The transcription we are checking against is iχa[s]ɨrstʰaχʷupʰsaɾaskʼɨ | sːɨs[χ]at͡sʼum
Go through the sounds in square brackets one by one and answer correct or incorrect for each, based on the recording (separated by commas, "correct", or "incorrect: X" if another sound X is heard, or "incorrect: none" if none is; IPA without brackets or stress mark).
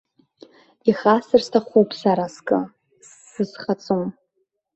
correct, correct